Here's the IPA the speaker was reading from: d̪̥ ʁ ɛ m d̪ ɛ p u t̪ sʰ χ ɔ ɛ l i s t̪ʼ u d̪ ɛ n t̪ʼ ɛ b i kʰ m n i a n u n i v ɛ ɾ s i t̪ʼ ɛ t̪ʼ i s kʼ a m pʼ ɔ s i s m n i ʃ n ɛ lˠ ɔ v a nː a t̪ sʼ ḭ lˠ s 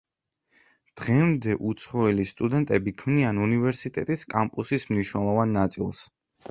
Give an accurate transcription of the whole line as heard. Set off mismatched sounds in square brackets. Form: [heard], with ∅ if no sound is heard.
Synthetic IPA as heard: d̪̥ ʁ ɛ m d̪ ɛ [ʔ] u t̪ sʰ χ ɔ ɛ l i s t̪ʼ u d̪ ɛ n t̪ʼ ɛ b i kʰ m n i a n u n i v ɛ ɾ s i t̪ʼ ɛ t̪ʼ i s kʼ a m pʼ [u] s i s m n i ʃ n ɛ lˠ ɔ v a nː a t̪ sʼ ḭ lˠ s